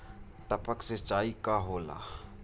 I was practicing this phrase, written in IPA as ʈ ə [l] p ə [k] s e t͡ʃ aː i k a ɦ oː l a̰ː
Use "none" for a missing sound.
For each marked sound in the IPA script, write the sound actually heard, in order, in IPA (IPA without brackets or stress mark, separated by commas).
none, k